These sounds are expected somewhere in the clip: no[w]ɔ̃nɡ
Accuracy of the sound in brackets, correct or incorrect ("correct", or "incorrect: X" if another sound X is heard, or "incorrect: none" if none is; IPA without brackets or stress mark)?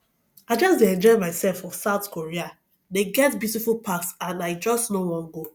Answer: correct